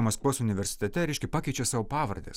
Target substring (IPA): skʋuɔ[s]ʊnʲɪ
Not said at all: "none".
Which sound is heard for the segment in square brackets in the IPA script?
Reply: s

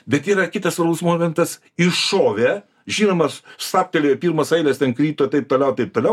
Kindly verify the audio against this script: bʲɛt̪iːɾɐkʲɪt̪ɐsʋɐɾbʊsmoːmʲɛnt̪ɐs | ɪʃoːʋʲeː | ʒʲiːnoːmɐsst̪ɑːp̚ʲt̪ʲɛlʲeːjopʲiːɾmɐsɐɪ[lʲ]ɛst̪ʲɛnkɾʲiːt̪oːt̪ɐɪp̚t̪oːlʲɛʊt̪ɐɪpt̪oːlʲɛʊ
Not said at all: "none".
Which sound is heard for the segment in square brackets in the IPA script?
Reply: lʲ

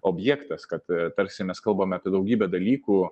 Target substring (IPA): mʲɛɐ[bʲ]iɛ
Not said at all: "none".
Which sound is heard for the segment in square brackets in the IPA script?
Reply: pʲ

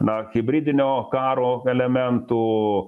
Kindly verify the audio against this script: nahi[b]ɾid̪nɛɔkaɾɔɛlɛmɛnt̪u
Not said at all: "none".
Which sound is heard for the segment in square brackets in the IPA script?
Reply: b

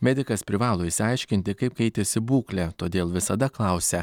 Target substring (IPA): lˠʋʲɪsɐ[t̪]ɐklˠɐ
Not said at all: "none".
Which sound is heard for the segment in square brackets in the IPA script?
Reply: d̪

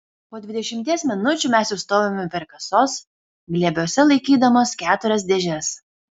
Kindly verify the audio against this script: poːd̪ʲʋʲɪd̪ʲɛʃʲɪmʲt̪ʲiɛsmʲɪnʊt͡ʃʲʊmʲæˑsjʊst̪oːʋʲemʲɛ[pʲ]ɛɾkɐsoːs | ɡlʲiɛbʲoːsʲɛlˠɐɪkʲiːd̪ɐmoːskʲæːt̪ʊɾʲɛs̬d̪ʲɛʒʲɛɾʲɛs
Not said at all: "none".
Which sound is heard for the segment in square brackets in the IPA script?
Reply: pʲ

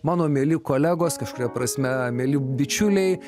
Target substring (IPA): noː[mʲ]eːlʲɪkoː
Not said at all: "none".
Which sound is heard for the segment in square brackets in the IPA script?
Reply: mʲ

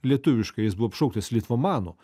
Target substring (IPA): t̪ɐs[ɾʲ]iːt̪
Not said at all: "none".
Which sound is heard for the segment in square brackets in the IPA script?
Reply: lʲ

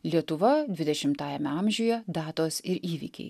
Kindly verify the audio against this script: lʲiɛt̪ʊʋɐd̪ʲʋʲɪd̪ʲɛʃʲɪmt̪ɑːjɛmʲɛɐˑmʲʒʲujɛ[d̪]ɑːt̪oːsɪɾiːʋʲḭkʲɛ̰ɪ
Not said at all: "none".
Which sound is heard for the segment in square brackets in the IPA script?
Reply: d̪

